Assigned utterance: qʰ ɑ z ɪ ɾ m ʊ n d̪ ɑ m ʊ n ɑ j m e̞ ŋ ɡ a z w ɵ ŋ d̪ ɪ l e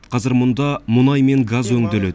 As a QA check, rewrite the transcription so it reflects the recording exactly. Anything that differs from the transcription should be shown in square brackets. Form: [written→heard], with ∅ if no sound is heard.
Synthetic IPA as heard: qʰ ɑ z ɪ ɾ m ʊ n d̪ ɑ m ʊ n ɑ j m e̞ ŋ ɡ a z w ɵ ŋ d̪ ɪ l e